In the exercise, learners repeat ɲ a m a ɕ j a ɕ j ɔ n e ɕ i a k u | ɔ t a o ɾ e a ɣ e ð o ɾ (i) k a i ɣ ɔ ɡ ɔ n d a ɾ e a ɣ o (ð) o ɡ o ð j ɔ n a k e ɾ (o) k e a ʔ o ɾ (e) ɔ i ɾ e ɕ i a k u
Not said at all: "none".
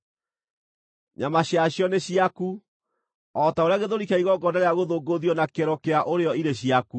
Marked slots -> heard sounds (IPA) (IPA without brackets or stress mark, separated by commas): i, ð, ɔ, e